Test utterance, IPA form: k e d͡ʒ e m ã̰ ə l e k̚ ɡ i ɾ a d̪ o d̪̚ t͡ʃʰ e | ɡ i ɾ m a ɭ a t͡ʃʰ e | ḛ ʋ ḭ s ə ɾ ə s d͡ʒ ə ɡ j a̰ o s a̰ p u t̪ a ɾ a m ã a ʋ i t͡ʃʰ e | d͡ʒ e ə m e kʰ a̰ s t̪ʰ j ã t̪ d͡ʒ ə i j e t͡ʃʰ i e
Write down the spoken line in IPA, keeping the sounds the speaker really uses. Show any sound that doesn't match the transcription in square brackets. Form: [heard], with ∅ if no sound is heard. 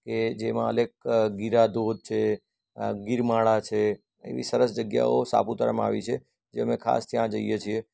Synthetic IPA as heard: k e d͡ʒ e m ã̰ ə l e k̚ ɡ i ɾ a d̪ o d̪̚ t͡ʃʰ e | ɡ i ɾ m a ɭ a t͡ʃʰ e | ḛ ʋ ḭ s ə ɾ ə s d͡ʒ ə ɡ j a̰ o s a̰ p u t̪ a ɾ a m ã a ʋ i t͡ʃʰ e | d͡ʒ e ə m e kʰ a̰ s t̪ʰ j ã [∅] d͡ʒ ə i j e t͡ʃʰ i e